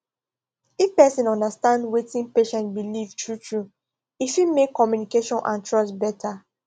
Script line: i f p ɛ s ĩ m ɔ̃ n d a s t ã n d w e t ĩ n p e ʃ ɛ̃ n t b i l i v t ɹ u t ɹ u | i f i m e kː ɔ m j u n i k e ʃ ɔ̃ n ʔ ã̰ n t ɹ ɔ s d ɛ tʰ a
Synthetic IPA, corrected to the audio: i f p ɛ s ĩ n ɔ̃ n d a s t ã n d w e t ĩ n p e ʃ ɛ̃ n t b i l i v t ɹ u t ɹ u | i f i m e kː ɔ m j u n i k e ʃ ɔ̃ n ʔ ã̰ n t ɹ ɔ s b ɛ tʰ a